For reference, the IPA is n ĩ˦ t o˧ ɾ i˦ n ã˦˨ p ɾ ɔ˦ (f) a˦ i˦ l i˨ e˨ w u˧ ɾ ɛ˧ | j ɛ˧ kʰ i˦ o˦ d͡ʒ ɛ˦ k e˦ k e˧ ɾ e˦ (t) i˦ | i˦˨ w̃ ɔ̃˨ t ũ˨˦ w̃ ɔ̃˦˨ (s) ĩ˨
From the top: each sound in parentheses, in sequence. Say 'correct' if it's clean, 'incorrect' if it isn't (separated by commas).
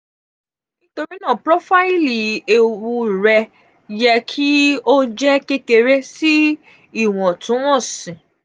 correct, incorrect, correct